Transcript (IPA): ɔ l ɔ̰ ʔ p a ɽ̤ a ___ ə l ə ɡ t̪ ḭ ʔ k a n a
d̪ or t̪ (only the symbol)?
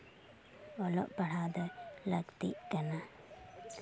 d̪